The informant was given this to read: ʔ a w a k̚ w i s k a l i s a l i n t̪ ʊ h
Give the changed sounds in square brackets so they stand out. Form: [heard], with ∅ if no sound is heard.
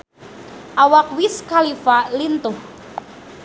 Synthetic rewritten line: ʔ a w a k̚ w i s k a l i [f] a l i n t̪ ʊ h